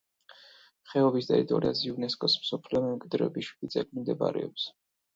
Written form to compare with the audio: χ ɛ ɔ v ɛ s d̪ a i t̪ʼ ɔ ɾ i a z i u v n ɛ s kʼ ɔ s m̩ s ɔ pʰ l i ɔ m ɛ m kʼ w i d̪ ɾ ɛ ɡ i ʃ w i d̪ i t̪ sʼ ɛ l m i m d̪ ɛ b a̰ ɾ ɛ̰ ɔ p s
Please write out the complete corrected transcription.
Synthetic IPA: χ ɛ ɔ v i s d̪ a i t̪ʼ ɔ ɾ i a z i u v n ɛ s kʼ ɔ s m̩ s ɔ pʰ l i ɔ m ɛ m kʼ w i d̪ ɾ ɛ b i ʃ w i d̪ i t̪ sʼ ɛ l m i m d̪ ɛ b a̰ ɾ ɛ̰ ɔ p s